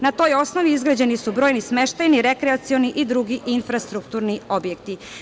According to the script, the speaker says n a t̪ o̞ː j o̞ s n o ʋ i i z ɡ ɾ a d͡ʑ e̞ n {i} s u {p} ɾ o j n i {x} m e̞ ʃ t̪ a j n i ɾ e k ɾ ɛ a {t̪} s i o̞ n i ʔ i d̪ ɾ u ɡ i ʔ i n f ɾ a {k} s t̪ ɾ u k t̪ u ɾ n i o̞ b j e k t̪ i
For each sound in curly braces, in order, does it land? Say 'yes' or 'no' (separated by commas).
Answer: yes, no, no, yes, no